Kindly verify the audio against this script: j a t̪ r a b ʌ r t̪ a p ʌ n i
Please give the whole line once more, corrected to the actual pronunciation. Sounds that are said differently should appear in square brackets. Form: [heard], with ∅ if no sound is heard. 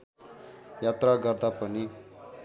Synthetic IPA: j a t̪ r a [ɡ] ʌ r [d̪] a p ʌ n i